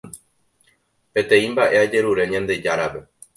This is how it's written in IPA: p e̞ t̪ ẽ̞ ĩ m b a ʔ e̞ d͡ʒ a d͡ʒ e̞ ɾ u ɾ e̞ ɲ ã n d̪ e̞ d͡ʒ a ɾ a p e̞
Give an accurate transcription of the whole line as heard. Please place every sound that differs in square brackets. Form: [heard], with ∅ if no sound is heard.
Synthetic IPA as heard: p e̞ t̪ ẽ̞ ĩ m b a ʔ e̞ [∅] a d͡ʒ e̞ ɾ u ɾ e̞ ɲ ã n d̪ e̞ d͡ʒ a ɾ a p e̞